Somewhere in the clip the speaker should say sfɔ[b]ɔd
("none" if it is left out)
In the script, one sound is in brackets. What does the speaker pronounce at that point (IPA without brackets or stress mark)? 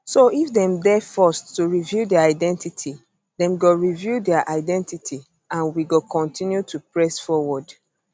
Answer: w